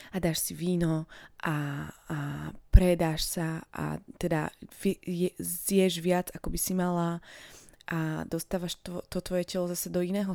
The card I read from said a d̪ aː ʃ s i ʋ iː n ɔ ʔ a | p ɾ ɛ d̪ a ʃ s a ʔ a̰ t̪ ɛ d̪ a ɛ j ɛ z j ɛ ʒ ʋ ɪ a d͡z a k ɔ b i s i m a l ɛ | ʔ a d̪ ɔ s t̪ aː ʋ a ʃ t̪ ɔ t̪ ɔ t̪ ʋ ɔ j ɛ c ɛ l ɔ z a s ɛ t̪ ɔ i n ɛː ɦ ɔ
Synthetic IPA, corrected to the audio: a d̪ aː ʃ s i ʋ iː n ɔ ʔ a | p ɾ ɛ d̪ a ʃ s a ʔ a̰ t̪ ɛ d̪ a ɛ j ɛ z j ɛ ʒ ʋ ɪ a d͡z a k ɔ b i s i m a l a | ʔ a d̪ ɔ s t̪ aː ʋ a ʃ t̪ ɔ t̪ ɔ t̪ ʋ ɔ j ɛ c ɛ l ɔ z a s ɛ d̪ ɔ i n ɛː ɦ ɔ